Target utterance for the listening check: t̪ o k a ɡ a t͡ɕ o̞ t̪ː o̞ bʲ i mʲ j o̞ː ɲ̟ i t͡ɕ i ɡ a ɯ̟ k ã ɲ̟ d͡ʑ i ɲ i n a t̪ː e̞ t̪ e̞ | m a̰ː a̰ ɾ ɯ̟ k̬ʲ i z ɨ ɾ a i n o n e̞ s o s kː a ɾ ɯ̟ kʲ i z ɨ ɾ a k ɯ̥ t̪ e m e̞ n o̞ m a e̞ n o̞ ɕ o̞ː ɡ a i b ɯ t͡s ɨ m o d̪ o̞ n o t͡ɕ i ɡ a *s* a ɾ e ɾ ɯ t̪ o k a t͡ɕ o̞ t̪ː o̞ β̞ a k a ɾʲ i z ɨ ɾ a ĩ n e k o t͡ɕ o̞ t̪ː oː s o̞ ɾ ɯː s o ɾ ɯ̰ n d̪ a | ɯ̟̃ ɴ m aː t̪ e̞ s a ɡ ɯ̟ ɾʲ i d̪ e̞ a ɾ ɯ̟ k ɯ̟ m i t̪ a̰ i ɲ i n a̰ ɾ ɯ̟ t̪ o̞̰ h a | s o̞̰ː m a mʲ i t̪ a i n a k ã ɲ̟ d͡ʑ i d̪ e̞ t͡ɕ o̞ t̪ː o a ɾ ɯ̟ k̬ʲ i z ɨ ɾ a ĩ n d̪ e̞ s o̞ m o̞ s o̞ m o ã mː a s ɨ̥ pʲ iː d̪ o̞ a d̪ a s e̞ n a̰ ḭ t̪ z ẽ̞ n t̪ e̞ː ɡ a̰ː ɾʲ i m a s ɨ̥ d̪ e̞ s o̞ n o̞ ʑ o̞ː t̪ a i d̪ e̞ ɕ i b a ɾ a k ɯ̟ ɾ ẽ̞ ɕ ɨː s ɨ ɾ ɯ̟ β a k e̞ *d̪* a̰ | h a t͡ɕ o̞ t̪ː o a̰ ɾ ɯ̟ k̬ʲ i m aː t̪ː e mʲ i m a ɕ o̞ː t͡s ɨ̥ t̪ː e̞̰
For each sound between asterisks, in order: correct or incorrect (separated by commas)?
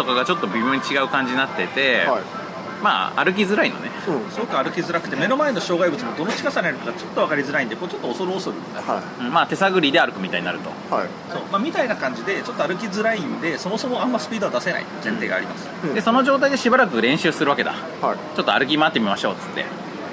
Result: correct, correct